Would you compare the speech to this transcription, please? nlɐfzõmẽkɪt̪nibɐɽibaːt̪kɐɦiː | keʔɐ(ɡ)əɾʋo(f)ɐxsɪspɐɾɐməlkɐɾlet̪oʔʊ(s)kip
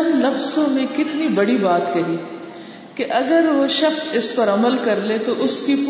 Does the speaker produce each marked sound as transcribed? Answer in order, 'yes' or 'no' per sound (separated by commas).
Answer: yes, no, yes